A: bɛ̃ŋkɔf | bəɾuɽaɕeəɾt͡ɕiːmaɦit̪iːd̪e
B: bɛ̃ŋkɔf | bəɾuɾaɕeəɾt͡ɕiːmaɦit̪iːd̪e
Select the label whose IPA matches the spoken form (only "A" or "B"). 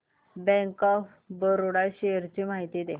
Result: A